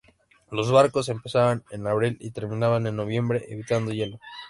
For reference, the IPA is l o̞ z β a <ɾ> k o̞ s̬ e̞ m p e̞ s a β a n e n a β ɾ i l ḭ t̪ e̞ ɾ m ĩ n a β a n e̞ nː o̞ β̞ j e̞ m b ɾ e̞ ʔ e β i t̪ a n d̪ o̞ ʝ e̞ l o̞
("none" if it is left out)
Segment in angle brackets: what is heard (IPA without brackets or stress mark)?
ɾ